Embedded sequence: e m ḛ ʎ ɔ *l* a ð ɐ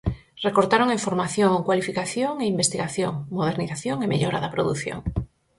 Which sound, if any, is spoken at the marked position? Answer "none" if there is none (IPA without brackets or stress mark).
ɾ